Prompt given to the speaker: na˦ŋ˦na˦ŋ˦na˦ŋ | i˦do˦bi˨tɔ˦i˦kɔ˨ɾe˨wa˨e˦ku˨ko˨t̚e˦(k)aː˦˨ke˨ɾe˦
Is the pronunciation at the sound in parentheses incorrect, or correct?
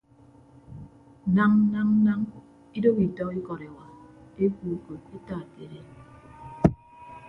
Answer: incorrect